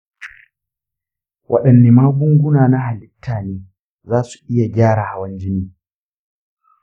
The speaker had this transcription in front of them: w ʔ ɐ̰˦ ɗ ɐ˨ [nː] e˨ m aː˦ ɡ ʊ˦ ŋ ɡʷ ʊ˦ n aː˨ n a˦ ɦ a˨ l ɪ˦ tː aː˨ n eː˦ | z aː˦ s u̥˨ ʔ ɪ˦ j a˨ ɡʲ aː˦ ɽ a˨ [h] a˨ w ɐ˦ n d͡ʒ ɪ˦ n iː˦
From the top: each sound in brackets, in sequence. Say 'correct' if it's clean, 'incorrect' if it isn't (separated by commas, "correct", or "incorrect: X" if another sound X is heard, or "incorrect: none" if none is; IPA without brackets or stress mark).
correct, correct